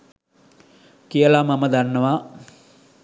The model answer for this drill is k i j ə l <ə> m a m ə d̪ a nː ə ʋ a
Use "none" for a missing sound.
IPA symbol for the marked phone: a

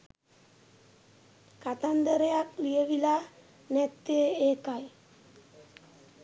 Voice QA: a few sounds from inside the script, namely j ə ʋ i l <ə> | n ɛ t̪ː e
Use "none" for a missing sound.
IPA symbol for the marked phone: a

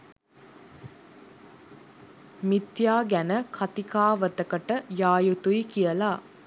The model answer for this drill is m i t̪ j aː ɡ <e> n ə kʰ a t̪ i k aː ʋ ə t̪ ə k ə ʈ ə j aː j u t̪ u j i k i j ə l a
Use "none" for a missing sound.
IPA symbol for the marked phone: æ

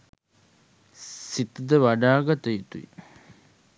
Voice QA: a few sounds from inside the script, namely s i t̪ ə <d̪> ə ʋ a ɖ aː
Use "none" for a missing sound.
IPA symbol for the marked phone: d̪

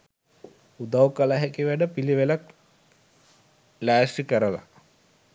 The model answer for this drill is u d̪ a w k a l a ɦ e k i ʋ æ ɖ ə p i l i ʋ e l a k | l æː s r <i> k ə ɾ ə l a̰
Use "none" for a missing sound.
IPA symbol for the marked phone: i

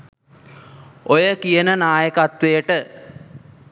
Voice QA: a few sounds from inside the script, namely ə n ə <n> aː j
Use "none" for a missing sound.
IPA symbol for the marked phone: n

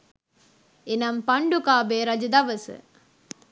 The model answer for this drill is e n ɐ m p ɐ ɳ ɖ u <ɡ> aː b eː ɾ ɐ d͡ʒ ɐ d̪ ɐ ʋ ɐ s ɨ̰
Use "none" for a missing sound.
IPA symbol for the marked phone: k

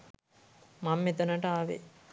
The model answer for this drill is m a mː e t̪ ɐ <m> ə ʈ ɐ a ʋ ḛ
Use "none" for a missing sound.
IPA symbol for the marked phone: n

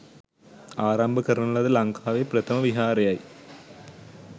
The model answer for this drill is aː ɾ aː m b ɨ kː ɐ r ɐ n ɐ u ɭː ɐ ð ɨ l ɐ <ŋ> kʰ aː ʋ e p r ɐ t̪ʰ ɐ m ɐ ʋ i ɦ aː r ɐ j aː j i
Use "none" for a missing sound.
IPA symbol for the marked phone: ŋ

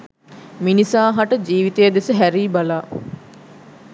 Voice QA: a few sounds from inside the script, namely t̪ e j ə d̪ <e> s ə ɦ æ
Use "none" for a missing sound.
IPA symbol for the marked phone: e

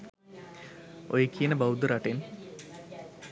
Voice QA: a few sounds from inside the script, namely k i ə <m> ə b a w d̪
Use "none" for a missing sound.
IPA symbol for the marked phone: n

